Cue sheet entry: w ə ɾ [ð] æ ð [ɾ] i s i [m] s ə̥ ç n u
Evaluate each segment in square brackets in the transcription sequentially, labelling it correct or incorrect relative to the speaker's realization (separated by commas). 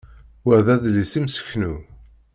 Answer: correct, incorrect, correct